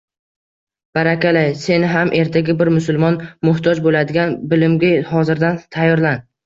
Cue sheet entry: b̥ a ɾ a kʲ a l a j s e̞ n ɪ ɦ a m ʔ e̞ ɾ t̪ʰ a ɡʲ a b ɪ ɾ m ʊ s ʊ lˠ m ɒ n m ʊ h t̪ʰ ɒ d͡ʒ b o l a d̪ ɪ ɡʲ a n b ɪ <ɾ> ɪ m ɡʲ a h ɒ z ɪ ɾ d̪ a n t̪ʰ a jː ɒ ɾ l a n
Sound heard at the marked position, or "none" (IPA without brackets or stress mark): l